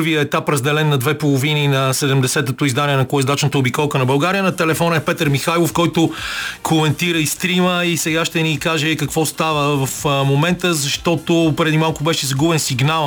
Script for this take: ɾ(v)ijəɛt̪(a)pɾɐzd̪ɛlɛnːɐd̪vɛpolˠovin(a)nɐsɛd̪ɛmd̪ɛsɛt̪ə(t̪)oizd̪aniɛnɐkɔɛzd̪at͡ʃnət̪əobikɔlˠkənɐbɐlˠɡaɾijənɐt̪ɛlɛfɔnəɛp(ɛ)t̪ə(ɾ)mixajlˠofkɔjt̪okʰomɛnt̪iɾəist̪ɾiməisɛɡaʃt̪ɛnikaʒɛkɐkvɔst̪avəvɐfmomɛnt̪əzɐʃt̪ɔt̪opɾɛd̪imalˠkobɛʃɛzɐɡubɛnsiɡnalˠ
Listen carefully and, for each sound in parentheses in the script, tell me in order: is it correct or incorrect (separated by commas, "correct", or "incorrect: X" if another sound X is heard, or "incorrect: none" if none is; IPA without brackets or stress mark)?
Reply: correct, correct, incorrect: i, correct, correct, correct